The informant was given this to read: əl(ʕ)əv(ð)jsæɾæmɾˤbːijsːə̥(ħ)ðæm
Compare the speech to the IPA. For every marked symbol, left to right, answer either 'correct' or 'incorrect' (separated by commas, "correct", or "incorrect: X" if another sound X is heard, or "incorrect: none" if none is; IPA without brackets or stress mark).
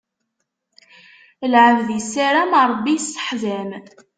correct, correct, correct